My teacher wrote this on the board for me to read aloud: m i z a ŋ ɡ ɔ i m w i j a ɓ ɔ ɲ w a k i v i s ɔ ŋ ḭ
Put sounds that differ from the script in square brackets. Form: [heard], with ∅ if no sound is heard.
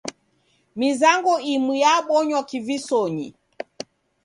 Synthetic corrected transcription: m i z a ŋ ɡ ɔ i m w i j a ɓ ɔ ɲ w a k i v i s ɔ [ɲ] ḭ